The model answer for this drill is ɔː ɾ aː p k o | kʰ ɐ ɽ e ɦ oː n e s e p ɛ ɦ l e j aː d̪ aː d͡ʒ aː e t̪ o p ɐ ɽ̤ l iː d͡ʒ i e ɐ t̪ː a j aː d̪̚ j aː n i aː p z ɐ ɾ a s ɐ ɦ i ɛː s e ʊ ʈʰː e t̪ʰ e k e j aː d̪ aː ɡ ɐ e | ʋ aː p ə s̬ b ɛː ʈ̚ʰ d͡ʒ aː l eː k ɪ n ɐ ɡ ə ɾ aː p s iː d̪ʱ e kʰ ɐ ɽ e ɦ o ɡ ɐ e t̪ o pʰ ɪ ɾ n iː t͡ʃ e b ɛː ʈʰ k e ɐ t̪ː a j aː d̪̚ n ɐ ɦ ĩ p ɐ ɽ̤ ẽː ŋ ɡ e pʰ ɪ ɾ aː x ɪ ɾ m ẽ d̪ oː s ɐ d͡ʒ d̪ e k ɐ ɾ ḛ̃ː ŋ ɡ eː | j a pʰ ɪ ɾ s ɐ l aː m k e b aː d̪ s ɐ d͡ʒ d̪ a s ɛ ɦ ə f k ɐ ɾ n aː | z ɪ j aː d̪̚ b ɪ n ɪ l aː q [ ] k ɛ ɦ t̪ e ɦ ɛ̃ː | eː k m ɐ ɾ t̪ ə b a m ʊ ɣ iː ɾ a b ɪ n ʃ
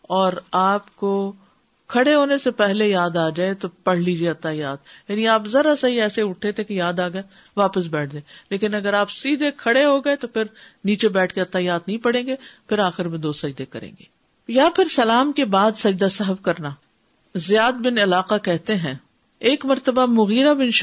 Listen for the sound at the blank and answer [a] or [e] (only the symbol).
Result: a